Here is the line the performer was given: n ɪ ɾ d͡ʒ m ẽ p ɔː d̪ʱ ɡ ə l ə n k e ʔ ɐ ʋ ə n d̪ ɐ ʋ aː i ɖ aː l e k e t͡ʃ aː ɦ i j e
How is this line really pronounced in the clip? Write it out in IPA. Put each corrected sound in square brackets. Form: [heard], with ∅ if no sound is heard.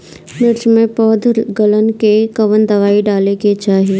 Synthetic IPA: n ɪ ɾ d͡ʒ m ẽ p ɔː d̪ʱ ɡ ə l ə n k e [k] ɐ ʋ ə n d̪ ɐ ʋ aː i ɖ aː l e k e t͡ʃ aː ɦ i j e